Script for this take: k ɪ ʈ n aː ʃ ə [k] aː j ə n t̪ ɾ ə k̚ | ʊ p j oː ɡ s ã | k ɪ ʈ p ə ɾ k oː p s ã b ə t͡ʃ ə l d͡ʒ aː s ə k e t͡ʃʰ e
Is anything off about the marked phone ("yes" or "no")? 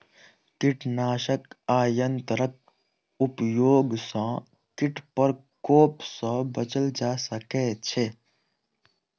no